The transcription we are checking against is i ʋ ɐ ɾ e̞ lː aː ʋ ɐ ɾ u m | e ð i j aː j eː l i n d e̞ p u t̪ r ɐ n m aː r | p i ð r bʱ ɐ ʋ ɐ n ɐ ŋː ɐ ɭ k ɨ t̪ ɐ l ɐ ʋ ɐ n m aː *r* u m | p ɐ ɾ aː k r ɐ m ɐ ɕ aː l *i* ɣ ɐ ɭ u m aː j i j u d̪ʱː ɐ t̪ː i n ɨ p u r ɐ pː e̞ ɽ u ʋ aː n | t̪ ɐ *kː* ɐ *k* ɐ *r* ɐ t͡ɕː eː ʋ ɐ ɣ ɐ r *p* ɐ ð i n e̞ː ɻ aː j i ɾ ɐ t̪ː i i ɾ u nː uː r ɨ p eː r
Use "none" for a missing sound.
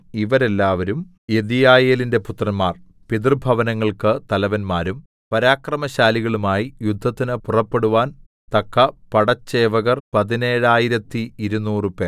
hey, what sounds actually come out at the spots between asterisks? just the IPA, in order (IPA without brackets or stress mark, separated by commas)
ɾ, i, kː, p, ɽ, p